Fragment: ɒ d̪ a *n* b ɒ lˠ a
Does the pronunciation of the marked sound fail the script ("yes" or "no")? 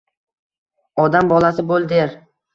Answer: yes